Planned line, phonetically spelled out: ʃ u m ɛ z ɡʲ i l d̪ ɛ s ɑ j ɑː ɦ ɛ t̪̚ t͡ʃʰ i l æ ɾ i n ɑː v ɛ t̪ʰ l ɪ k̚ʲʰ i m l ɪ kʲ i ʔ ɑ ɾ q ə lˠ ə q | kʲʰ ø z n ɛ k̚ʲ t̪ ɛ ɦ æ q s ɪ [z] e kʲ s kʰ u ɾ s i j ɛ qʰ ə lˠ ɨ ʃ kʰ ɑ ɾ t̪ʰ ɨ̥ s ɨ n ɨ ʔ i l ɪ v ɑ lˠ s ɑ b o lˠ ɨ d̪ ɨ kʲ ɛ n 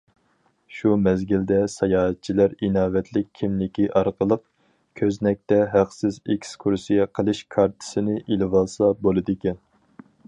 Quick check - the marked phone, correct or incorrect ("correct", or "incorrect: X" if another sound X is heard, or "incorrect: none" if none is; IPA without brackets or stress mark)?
correct